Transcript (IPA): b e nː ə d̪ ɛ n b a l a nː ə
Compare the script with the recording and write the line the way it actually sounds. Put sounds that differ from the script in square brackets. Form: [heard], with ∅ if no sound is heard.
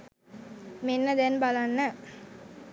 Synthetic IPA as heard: [m] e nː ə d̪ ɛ n b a l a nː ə